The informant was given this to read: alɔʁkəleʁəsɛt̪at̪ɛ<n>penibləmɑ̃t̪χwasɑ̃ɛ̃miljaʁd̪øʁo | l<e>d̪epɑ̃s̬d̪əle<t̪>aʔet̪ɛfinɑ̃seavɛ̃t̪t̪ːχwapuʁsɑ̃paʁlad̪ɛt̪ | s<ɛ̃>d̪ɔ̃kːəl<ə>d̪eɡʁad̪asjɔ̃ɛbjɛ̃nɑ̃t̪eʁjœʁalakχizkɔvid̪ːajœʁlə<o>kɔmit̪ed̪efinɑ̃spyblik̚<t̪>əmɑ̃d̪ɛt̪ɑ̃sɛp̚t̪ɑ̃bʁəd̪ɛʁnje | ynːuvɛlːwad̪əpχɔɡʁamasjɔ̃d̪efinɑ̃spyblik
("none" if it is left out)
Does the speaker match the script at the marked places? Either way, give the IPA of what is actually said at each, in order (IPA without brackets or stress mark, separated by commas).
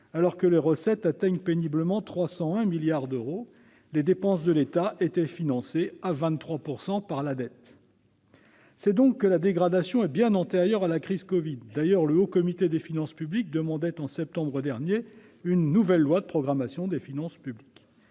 ɲ, e, t̪, ɛ, a, o, d̪